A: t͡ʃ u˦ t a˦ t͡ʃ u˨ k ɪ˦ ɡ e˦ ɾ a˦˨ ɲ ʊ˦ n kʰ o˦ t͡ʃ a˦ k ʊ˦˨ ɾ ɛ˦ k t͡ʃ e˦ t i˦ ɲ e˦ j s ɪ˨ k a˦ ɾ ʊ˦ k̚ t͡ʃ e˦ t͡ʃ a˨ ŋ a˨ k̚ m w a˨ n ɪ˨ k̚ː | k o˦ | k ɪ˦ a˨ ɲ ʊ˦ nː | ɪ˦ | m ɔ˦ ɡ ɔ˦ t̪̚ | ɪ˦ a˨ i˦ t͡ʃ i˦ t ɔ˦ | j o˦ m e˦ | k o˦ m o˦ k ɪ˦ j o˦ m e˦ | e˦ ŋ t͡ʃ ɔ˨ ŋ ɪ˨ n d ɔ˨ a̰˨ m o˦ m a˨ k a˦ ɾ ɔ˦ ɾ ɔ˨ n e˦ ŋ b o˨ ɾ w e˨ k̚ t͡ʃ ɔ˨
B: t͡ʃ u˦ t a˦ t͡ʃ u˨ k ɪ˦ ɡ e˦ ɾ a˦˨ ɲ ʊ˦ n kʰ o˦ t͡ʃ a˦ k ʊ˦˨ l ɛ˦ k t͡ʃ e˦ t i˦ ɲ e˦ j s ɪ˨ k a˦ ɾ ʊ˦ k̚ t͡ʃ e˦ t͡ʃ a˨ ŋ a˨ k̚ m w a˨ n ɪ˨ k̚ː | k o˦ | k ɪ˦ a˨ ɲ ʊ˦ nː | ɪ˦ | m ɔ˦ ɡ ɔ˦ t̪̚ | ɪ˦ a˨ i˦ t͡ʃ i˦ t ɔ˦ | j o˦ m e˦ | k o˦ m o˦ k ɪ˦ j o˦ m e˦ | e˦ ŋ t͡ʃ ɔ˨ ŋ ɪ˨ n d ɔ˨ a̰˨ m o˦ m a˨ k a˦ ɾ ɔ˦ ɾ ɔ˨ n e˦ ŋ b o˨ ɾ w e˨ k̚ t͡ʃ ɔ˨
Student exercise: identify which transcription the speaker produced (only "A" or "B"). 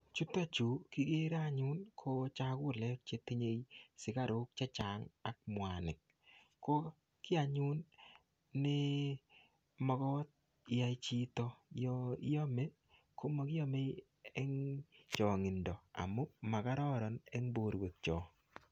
B